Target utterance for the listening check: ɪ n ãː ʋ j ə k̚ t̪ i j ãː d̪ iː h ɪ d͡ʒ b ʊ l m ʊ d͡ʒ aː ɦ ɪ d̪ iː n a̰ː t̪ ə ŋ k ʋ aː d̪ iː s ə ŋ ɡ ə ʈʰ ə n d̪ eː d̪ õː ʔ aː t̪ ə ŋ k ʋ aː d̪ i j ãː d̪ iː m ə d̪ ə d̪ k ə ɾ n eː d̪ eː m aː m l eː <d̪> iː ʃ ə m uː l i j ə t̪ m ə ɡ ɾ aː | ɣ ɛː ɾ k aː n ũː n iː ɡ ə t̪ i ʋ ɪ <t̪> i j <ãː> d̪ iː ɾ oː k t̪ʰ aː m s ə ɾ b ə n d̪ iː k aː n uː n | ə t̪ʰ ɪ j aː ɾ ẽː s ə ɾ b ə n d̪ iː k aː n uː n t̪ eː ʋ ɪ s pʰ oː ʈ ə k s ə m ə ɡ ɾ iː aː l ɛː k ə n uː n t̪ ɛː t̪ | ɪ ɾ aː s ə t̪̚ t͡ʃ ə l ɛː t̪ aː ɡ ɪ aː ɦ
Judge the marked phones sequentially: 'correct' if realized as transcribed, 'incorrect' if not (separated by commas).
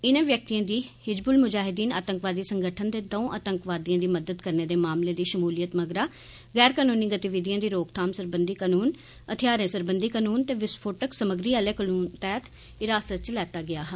correct, incorrect, correct